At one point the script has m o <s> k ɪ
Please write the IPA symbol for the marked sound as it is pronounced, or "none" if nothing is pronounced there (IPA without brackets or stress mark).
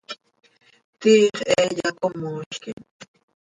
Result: ʃ